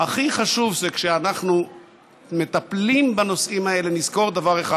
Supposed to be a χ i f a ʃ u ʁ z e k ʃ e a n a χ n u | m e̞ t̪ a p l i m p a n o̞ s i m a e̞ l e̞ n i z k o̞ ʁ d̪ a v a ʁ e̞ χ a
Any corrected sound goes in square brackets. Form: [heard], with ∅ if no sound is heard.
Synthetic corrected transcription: a χ i [χ] a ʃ u [v] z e k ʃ e a n a χ n u | m e̞ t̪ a p l i m [b] a n o̞ s i m a e̞ l e̞ n i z k o̞ ʁ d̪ a v a ʁ e̞ χ a